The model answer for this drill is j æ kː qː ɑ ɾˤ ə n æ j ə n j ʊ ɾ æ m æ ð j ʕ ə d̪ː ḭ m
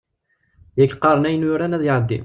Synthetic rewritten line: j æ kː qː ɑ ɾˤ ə n æ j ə n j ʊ ɾ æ n æ ð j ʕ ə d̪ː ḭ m

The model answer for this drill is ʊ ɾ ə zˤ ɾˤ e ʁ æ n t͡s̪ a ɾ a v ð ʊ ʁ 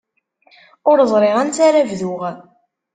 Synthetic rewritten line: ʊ ɾ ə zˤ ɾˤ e ʁ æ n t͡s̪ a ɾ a v ð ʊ ʁ

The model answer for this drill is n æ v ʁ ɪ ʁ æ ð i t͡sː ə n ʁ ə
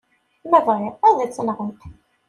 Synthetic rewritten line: m æ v ʁ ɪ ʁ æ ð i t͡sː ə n ʁ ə

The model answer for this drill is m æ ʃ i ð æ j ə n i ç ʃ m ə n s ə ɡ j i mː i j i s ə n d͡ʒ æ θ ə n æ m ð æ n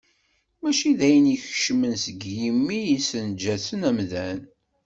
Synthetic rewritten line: m æ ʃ i ð æ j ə n i ç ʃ m ə n s ə ɡ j i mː i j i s ə n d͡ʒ æ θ ə n æ m ð æ n

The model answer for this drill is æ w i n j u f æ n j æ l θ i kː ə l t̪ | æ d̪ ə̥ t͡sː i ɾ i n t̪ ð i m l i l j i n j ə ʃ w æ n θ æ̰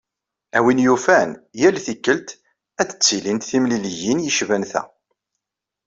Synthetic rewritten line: æ w i n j u f æ n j æ l θ i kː ə l t̪ | æ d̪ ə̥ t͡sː i l i n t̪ θ i m l i l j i n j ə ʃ v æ n θ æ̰

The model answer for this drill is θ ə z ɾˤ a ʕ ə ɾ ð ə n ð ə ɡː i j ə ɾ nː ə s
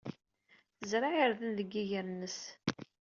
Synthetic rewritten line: θ ə z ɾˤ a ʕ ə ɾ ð ə n ð ə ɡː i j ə ɾ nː ə s

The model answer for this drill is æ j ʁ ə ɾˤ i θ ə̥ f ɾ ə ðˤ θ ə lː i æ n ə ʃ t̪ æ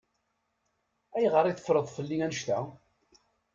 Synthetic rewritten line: æ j ʁ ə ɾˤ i θ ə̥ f ɾ ə ðˤ f ə lː i æ n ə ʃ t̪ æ

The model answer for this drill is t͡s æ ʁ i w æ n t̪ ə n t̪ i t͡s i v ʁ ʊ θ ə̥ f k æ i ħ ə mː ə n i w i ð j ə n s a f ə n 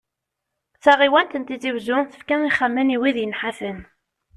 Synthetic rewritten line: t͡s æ ʁ i w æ n t̪ ə n t̪ i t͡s i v z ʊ θ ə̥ f k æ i χ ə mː ə n i w i ð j ə n ħ a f ə n

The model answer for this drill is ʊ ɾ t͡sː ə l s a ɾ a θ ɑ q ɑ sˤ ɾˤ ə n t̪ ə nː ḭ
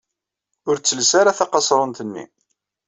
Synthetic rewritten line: ʊ ɾ t͡sː ə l s a ɾ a θ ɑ q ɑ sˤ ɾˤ ə n t̪ ə nː ḭ

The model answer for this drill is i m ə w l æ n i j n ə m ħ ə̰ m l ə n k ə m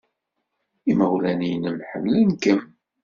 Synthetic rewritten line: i m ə w l æ n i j n ə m ħ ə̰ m l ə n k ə m

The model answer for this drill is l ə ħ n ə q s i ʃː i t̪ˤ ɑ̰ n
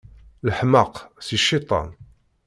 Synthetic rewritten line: l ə ħ m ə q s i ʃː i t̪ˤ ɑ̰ n

